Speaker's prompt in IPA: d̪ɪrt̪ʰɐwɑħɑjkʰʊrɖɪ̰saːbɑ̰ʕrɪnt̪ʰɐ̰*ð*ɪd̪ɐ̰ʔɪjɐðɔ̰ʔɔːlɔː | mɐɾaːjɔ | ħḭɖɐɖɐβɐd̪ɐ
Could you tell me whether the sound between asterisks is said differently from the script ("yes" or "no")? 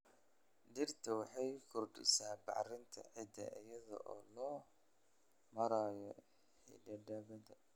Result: yes